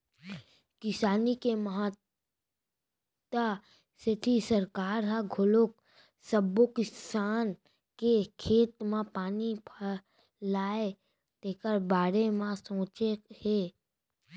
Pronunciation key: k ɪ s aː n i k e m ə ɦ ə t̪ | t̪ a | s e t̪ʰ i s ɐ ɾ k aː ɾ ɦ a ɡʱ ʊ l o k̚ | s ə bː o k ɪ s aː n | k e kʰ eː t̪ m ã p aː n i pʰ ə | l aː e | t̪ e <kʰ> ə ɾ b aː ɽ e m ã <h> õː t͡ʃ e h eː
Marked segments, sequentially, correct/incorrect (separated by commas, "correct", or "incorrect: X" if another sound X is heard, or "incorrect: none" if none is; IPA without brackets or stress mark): incorrect: k, incorrect: s